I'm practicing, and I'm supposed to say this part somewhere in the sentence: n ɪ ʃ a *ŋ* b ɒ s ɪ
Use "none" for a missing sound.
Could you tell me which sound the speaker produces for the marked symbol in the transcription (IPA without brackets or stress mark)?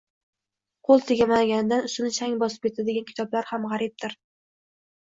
ŋ